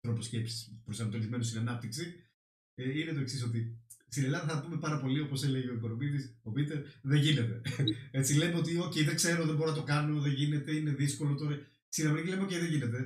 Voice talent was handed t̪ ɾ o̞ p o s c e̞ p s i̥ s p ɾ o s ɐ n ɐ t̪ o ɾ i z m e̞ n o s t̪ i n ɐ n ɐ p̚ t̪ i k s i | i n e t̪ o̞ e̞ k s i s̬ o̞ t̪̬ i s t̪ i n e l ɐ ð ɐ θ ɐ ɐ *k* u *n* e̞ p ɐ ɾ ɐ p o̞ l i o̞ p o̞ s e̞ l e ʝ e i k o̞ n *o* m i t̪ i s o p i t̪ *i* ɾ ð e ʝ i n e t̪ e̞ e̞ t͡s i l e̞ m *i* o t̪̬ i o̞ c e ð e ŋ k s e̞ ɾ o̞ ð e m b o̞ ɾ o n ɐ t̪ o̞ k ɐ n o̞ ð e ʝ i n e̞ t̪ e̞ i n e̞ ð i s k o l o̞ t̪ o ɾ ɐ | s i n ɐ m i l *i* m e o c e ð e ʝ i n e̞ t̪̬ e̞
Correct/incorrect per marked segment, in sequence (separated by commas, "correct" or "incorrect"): incorrect, incorrect, correct, incorrect, incorrect, incorrect